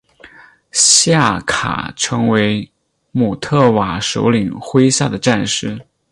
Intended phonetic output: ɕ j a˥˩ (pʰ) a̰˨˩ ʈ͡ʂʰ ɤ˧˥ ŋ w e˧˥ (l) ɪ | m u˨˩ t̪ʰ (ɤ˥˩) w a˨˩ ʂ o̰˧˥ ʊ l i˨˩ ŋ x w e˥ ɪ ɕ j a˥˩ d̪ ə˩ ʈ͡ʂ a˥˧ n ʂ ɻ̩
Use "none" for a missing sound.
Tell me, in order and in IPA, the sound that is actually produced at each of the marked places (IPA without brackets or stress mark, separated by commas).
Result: kʰ, none, ɤ˥˩